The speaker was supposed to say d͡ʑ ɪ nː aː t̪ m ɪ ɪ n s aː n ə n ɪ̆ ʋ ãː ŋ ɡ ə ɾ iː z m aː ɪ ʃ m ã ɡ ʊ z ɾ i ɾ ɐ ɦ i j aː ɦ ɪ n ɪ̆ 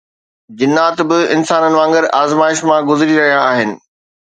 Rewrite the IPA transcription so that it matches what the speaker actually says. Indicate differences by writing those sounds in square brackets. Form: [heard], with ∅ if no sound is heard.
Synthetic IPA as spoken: d͡ʑ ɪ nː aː t̪ [b] ɪ ɪ n s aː n ə n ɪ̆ ʋ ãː ŋ ɡ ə ɾ [aː] z m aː ɪ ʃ m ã ɡ ʊ z ɾ i ɾ ɐ ɦ i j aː ɦ ɪ n ɪ̆